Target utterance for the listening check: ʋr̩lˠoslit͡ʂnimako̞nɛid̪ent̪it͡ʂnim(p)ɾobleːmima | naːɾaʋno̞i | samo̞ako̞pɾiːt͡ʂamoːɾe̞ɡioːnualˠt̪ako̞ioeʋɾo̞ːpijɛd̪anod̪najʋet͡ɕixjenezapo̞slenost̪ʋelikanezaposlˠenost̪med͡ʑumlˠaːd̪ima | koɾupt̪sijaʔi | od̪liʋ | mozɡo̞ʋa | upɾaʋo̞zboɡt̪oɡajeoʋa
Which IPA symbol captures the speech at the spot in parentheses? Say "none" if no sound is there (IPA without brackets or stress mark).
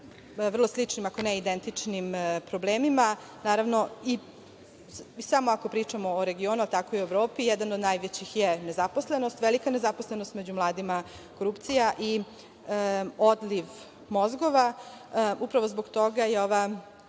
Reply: p